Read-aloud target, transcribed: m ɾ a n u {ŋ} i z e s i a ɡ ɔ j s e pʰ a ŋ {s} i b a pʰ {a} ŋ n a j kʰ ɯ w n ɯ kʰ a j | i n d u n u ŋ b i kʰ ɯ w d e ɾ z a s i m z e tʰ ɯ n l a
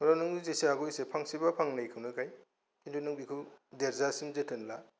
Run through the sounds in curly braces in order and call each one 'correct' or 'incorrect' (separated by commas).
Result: correct, correct, correct